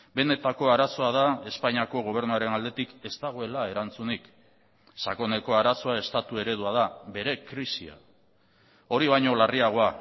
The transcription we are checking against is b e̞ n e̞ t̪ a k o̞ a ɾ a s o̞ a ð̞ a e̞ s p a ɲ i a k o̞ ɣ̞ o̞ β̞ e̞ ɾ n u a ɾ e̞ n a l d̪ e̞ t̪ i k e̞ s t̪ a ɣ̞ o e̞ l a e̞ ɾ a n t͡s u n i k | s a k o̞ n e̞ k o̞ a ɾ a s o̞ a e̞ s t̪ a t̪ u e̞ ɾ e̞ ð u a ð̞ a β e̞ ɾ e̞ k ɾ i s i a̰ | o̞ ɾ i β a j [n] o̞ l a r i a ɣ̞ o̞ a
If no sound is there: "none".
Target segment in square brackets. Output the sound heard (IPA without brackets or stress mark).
ɲ